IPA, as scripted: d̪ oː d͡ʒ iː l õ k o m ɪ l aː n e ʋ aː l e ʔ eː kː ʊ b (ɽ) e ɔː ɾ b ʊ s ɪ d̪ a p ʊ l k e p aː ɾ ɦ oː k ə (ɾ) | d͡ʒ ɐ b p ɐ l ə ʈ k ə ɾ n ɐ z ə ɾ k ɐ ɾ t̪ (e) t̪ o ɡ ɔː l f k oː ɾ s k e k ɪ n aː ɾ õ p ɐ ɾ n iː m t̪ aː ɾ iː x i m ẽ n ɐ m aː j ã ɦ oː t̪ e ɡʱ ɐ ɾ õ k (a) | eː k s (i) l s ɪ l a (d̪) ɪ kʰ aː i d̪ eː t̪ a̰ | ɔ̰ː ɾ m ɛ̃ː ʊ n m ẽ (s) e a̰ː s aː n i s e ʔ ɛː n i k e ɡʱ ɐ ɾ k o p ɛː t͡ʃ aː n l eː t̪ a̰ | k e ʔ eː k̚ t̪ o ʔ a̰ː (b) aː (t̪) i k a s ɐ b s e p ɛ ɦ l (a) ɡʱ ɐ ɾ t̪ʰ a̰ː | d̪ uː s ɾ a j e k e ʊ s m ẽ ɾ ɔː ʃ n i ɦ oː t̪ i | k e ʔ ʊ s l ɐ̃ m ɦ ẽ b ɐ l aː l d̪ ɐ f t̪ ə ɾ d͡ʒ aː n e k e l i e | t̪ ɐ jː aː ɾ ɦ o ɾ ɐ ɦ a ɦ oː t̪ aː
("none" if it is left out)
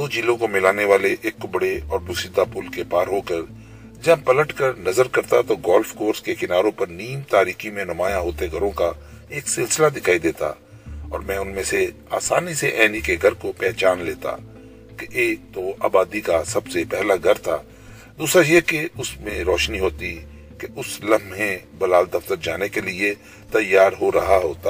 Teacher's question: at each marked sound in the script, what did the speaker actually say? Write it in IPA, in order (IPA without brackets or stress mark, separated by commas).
ɽ, ɾ, a, a, ɪ, d̪, s, b, d̪, a